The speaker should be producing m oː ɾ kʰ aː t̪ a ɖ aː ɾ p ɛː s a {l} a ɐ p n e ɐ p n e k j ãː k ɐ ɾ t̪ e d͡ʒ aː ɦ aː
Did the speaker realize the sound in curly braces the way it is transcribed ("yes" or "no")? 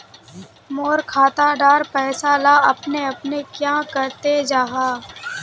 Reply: yes